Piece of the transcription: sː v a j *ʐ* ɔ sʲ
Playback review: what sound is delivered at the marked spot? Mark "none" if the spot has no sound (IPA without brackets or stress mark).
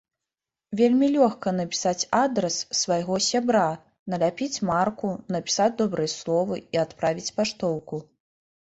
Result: ɣ